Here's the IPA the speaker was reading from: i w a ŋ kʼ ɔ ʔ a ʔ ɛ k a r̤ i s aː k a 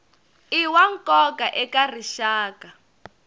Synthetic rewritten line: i w a ŋ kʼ ɔ k a ʔ ɛ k a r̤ i ʃ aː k a